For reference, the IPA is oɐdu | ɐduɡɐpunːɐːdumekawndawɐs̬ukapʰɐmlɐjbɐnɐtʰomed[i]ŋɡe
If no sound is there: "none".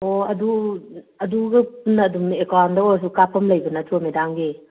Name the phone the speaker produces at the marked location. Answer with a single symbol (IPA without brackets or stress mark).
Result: a